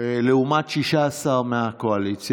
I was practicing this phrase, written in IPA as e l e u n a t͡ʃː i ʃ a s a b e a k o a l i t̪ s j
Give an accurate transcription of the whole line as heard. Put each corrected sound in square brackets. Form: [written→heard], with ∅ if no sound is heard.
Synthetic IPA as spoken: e l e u [n→m] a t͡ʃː i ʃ a s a [b→m] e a k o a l i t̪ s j